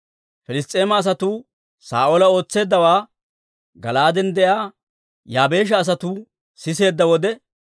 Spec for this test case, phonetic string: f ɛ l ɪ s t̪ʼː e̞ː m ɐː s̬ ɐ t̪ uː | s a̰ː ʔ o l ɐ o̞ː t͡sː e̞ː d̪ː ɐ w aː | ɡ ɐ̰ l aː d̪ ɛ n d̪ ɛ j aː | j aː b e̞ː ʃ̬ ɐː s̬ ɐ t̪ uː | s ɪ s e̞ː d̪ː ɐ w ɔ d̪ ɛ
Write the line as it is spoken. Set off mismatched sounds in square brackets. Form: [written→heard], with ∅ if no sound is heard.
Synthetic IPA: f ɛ l ɪ s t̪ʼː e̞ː m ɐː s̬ ɐ t̪ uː | s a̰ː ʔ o l ɐ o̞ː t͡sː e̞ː d̪ː ɐ w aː | ɡ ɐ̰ l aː d̪ ɛ n d̪ ɛ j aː | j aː b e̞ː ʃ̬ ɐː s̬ ɐ t̪ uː | s ɪ s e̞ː d̪ː ɐ w ɔ d̪ ɛ